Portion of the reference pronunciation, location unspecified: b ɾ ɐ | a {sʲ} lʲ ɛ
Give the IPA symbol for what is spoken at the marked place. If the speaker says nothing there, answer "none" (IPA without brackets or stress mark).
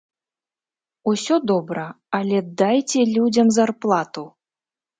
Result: none